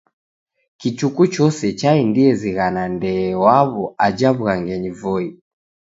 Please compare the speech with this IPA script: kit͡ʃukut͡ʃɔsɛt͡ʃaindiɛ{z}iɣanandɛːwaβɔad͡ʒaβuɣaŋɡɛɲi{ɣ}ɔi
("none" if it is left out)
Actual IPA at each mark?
z, v

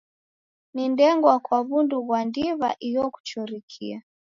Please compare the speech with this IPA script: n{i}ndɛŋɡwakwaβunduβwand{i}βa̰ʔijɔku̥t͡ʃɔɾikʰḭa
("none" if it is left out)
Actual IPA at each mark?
i, i

